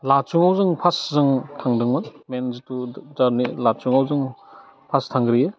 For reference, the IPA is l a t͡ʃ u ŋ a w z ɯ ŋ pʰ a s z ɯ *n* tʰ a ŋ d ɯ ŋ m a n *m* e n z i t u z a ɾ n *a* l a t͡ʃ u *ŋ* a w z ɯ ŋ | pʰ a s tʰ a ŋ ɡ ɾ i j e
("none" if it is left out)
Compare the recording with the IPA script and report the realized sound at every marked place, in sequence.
ŋ, m, i, ŋ

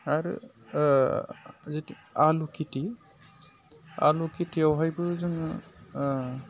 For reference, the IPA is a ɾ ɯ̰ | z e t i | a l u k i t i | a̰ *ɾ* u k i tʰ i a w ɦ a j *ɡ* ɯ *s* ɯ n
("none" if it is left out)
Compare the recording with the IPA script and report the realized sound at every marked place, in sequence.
l, b, z

